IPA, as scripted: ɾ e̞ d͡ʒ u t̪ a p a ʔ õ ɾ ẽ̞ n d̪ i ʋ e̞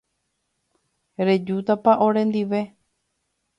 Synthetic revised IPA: ɾ e̞ d͡ʒ u t̪ a p a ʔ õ ɾ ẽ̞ n d̪ i ʋ e̞